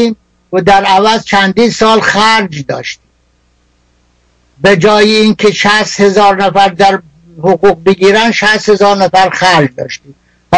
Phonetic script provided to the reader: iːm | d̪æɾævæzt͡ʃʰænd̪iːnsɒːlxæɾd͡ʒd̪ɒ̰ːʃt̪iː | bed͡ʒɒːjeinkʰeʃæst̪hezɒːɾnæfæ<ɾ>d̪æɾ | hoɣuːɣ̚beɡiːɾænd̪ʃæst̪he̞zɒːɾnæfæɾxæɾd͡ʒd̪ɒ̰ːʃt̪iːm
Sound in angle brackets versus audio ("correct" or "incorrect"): correct